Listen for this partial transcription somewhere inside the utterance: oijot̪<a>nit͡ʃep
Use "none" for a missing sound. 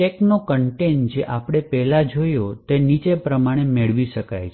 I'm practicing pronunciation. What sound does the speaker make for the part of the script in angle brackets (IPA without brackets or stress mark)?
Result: e